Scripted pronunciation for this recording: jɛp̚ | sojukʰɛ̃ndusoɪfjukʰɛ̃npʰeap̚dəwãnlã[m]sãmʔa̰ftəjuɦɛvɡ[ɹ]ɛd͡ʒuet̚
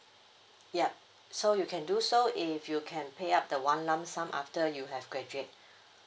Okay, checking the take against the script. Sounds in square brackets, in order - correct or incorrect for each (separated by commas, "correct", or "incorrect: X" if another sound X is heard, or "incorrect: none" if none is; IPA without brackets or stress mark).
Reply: correct, correct